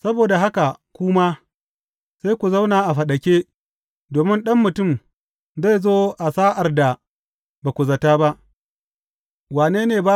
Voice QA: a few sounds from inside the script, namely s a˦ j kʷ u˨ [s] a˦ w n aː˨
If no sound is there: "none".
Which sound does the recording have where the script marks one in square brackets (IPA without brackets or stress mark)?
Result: z